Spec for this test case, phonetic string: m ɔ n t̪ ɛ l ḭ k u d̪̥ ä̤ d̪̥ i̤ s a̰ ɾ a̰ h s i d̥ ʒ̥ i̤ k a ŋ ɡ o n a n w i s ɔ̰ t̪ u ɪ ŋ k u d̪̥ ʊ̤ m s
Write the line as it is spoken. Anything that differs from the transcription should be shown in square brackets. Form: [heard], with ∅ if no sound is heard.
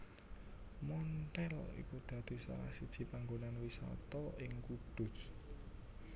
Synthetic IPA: m ɔ n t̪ ɛ l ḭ k u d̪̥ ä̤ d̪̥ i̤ s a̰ ɾ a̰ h s i d̥ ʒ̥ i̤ [p] a ŋ ɡ o n a n w i s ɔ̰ t̪ [ɔ] ɪ ŋ k u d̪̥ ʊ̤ [∅] s